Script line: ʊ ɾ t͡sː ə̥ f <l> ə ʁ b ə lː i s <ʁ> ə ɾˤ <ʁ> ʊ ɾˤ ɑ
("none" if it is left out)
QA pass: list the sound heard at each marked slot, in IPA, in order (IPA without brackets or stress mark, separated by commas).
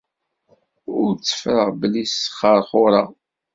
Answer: ɾ, χ, χ